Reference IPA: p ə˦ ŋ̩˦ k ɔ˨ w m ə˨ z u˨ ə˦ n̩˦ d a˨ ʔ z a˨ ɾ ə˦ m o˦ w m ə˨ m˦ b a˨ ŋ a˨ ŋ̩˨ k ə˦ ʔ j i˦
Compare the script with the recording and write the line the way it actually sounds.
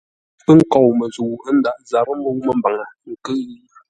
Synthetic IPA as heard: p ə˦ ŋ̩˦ k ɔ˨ w m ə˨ z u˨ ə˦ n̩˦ d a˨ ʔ z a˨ ɾ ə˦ m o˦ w m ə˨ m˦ b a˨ ŋ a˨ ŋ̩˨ k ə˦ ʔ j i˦